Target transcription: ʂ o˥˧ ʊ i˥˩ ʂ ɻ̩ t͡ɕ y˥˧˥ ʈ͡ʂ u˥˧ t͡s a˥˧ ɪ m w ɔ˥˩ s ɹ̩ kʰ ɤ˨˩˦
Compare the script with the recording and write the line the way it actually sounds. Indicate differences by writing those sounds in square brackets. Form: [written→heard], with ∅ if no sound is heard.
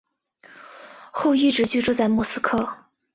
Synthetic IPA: [ʂ→x] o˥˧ ʊ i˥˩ [ʂ→ʈ͡ʂ] ɻ̩ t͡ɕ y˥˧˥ ʈ͡ʂ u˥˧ t͡s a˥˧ ɪ m w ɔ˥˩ s ɹ̩ kʰ [ɤ˨˩˦→ɤ˥˩]